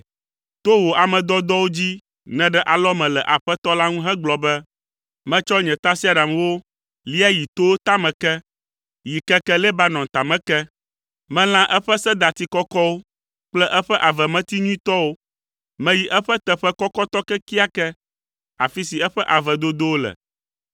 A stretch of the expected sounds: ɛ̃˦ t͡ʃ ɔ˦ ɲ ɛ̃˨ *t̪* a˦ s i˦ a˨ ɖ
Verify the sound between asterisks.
correct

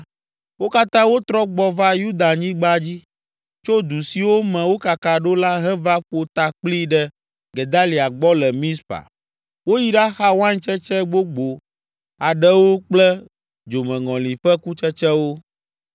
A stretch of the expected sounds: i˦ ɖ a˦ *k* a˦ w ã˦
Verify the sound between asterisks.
incorrect: x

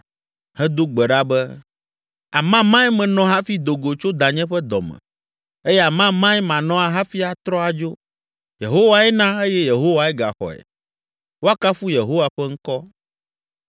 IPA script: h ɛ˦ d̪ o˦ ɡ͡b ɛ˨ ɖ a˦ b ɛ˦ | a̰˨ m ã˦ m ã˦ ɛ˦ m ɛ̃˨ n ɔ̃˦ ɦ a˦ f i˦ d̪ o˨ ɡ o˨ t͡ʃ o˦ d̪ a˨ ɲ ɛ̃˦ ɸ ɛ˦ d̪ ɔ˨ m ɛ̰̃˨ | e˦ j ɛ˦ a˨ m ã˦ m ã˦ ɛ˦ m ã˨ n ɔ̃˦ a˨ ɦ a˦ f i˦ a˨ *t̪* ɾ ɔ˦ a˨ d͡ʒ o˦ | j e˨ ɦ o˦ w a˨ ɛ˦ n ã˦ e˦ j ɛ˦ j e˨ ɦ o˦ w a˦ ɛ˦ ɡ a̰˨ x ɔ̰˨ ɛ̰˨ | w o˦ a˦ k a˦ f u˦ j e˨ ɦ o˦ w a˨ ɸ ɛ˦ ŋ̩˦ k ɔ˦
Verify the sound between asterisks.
correct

